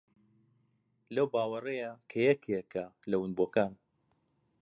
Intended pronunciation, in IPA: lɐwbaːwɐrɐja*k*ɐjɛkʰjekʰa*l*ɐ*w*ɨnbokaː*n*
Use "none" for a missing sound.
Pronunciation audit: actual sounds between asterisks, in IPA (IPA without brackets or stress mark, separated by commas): kʰ, l, w, n